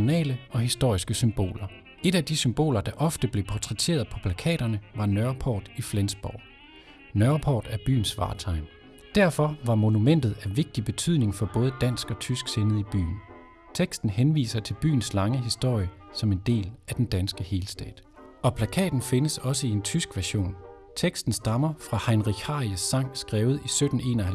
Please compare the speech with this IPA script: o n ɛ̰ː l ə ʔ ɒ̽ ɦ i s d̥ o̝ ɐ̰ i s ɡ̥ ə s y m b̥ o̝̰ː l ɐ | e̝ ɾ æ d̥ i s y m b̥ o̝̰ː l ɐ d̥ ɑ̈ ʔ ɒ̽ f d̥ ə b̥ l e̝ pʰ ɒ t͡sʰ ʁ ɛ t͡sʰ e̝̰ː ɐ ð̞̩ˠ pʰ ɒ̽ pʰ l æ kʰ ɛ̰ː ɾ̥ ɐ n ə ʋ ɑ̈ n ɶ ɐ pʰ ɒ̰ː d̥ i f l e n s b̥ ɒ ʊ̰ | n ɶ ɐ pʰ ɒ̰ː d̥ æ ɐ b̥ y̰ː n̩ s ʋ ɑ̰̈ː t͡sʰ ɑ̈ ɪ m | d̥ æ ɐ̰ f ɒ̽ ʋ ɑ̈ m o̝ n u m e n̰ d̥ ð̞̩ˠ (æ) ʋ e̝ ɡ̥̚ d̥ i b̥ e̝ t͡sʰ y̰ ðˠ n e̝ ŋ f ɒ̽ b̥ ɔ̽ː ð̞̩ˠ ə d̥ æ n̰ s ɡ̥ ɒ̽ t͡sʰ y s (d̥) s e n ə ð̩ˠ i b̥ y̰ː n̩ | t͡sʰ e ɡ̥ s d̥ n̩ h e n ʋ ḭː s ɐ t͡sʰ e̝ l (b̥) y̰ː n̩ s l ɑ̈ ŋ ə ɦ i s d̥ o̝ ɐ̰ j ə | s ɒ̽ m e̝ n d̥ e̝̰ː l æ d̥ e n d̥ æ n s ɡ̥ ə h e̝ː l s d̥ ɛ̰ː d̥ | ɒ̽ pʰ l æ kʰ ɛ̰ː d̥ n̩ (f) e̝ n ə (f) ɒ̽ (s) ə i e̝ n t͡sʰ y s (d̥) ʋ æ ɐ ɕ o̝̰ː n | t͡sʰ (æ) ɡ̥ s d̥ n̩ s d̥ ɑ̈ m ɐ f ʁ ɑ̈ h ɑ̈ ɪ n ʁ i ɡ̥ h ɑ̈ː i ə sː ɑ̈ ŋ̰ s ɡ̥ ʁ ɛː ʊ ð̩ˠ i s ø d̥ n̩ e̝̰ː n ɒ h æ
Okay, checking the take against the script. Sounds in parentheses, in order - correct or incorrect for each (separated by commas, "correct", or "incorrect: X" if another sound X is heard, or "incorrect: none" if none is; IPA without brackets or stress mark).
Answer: correct, incorrect: ɡ̥, correct, correct, incorrect: s, correct, incorrect: ɡ̥, incorrect: e